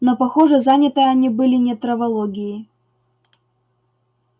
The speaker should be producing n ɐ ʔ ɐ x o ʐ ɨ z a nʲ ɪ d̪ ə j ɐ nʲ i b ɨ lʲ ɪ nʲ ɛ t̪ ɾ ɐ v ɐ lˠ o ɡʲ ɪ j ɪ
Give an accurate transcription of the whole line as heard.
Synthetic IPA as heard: n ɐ p ɐ x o ʐ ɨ z a nʲ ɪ t̪ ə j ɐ nʲ i b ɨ lʲ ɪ nʲ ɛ t̪ ɾ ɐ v ɐ lˠ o ɡʲ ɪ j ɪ